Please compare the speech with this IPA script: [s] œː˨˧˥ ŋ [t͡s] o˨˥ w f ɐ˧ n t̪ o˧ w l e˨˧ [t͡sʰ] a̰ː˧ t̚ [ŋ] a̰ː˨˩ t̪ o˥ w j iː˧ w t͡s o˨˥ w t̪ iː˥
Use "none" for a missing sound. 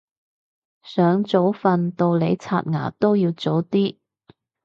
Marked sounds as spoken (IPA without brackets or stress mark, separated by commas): s, t͡s, t͡sʰ, ŋ